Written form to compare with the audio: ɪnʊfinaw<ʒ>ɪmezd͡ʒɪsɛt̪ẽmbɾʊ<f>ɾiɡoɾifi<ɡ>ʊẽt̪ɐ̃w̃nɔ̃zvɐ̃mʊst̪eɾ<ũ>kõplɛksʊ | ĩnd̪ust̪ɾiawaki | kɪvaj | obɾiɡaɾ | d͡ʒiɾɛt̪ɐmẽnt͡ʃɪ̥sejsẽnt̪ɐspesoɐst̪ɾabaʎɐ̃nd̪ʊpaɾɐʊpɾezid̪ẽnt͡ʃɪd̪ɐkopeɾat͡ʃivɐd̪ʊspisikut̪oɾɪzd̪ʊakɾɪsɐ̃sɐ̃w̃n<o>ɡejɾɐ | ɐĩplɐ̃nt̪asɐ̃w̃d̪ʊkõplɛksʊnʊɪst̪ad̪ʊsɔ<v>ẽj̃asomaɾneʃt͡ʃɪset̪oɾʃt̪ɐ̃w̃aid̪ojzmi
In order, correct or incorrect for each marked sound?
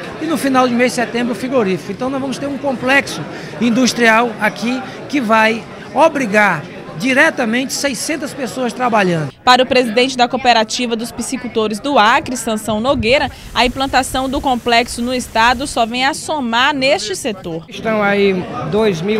incorrect: d͡ʒ, correct, incorrect: k, correct, correct, correct

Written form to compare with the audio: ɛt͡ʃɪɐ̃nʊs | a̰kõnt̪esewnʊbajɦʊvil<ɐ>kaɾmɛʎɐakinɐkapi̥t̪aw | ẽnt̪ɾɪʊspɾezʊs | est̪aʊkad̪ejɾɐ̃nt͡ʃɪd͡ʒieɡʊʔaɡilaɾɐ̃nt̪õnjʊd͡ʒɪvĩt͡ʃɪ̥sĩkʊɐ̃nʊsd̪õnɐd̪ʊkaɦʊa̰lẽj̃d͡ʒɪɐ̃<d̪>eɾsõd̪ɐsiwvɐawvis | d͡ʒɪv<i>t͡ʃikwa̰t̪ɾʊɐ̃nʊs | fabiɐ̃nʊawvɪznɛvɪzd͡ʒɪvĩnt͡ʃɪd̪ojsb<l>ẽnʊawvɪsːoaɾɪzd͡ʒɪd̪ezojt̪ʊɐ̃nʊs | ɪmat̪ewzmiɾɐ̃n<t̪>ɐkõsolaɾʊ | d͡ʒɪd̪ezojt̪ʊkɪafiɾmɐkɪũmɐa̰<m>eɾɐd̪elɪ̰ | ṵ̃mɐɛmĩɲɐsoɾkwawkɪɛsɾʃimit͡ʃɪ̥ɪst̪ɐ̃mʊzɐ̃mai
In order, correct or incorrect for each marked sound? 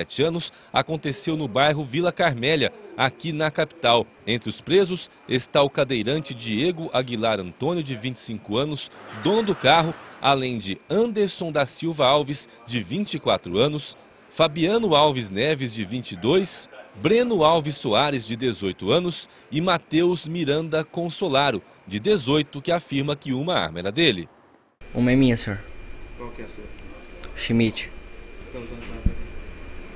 correct, correct, incorrect: ĩ, incorrect: ɾ, incorrect: d̪, correct

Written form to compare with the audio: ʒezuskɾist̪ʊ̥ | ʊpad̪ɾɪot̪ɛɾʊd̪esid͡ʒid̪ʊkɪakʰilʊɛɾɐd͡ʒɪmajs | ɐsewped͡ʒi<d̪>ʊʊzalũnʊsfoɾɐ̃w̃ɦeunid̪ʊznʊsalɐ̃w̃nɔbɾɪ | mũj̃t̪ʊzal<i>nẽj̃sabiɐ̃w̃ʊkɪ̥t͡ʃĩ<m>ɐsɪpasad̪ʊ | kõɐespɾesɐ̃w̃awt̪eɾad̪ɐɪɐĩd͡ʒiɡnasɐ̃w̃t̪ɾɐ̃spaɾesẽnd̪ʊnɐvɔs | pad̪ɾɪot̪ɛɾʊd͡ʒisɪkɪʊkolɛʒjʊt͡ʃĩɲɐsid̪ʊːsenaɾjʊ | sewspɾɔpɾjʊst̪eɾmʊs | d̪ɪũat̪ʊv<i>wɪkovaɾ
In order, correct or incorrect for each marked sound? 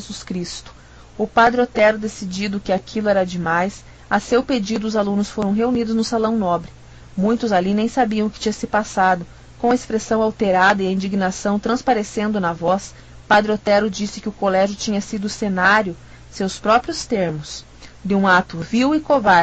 correct, correct, incorrect: ɲ, correct

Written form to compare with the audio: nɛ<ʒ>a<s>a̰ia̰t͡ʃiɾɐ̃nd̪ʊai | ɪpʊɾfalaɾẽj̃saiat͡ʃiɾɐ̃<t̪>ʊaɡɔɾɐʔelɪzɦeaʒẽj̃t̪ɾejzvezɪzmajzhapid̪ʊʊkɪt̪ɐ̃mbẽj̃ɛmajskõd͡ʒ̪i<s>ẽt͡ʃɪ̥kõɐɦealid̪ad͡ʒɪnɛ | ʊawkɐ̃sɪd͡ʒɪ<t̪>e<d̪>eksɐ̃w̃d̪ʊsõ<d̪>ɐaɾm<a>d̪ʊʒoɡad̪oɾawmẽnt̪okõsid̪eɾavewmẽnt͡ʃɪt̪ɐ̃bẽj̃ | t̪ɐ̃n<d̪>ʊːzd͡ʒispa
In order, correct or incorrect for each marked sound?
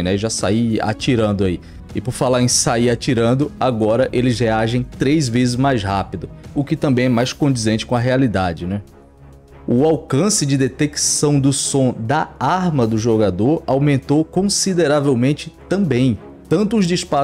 correct, correct, incorrect: d̪, incorrect: z, incorrect: d̪, incorrect: t̪, correct, incorrect: ɐ, incorrect: t̪

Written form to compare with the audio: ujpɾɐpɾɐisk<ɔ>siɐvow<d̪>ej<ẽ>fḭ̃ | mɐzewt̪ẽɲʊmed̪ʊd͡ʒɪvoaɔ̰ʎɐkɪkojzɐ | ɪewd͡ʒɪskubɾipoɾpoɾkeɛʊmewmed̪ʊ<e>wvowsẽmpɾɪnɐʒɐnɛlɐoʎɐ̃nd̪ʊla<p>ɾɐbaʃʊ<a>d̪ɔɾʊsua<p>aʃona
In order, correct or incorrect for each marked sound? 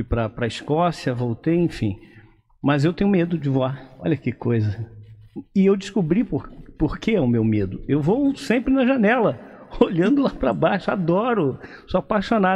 correct, incorrect: t̪, correct, correct, correct, correct, correct

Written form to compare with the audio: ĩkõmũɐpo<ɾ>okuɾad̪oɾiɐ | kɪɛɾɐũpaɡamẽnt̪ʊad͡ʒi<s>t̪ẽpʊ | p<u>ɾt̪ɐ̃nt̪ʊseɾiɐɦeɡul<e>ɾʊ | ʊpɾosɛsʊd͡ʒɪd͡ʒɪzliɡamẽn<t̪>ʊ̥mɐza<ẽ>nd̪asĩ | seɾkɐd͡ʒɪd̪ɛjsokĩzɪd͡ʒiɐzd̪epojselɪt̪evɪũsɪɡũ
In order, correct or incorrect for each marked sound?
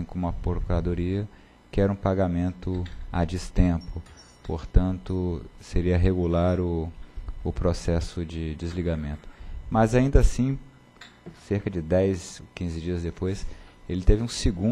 correct, correct, incorrect: o, incorrect: a, correct, incorrect: ĩ

